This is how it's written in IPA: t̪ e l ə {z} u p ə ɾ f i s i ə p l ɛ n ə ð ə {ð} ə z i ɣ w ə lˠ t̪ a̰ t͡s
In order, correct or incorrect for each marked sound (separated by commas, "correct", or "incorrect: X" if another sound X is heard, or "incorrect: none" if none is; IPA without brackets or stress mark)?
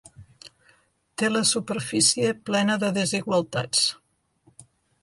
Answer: incorrect: s, correct